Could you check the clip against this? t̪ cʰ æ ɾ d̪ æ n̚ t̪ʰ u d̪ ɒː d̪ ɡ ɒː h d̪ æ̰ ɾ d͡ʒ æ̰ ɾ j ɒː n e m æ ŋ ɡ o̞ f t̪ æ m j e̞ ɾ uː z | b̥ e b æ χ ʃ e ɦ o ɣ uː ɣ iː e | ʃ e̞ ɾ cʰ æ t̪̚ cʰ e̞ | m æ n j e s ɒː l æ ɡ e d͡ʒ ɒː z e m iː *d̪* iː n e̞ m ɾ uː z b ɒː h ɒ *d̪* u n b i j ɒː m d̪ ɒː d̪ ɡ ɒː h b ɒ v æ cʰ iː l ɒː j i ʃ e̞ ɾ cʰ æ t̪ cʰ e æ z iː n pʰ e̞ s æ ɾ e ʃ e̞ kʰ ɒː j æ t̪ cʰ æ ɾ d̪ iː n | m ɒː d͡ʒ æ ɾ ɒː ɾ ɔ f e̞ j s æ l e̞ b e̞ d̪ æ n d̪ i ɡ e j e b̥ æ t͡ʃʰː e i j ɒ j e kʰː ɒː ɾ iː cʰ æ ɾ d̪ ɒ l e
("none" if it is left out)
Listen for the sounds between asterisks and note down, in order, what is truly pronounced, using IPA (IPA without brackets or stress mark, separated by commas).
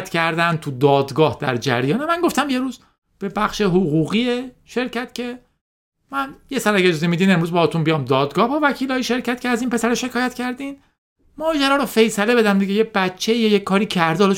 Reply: d̪, t̪